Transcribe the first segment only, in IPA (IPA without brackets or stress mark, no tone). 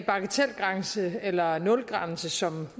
b̥